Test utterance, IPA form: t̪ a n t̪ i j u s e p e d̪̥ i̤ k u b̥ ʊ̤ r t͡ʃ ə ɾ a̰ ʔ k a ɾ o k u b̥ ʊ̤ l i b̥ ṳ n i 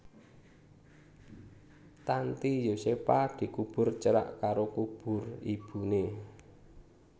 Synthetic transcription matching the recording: t̪ a n t̪ i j o s e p a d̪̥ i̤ k u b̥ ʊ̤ r t͡ʃ ə ɾ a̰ ʔ k a ɾ o k u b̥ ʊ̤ r i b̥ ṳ n e